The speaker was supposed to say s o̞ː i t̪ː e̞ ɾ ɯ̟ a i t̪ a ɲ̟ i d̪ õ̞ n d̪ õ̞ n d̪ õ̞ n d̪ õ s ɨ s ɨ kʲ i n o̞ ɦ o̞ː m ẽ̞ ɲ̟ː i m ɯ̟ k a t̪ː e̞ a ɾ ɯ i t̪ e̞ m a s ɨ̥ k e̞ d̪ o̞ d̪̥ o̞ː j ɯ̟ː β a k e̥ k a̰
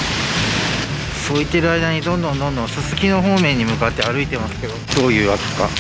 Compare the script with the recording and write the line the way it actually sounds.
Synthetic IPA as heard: s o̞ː i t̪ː e̞ ɾ ɯ̟ a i d̪ a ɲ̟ i d̪ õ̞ n d̪ õ̞ n d̪ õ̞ n d̪ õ s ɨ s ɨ kʲ i n o̞ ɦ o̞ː m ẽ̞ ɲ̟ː i m ɯ̟ k a t̪ː e̞ a ɾ ɯ i t̪ e̞ m a s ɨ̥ k e̞ d̪ o̞ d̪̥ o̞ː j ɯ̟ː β a k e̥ k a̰